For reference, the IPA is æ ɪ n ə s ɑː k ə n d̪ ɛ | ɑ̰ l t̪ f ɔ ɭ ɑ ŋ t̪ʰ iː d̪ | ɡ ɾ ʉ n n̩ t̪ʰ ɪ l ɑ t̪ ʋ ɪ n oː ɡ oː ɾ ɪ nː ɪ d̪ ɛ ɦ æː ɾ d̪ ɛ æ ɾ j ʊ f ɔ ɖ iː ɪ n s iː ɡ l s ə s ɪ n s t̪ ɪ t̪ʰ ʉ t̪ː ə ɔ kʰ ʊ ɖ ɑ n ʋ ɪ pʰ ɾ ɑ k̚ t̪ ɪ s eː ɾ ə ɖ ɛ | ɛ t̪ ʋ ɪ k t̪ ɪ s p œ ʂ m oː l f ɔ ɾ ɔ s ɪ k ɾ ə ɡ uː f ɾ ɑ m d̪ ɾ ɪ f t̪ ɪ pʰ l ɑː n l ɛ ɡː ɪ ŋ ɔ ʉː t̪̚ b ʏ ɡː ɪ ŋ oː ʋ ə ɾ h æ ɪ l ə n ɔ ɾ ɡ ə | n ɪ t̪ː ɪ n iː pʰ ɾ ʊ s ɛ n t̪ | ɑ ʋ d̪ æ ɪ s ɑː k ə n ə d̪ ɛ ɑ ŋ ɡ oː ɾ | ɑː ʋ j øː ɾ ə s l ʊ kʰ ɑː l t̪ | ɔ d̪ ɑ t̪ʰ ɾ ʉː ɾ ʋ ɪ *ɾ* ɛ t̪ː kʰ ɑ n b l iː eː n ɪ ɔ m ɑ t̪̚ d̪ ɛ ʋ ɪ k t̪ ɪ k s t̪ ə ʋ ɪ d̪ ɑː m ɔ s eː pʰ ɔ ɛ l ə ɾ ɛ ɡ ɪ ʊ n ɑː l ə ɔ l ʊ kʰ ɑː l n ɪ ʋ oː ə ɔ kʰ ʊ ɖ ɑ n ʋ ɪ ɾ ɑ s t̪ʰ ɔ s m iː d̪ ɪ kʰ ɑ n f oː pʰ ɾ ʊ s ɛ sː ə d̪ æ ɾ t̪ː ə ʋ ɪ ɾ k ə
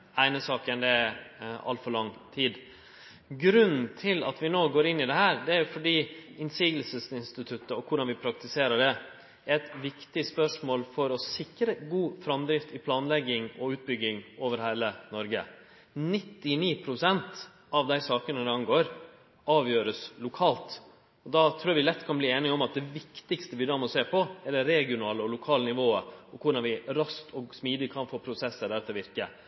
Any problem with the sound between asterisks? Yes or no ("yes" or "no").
yes